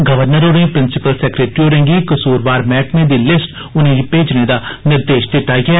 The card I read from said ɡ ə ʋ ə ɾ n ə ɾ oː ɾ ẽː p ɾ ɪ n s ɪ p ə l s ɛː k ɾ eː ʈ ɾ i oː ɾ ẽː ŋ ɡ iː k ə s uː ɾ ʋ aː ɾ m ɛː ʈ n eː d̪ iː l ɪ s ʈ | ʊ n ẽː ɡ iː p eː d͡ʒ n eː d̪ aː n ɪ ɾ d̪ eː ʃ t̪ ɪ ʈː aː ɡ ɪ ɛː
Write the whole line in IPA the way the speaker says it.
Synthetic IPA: ɡ ə ʋ ə ɾ n ə ɾ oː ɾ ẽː p ɾ ɪ n s ɪ p ə l s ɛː k ɾ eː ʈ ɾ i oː ɾ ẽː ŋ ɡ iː k ə s uː ɾ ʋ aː ɾ m ɛː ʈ n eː d̪ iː l ɪ s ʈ | ʊ n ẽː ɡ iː p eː d͡ʒ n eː d̪ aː n ɪ ɾ d̪ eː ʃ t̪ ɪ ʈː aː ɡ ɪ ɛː